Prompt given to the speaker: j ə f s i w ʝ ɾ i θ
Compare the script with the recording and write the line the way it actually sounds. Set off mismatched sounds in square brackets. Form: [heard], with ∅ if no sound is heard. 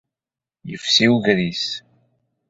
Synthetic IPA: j ə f s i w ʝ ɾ i [s]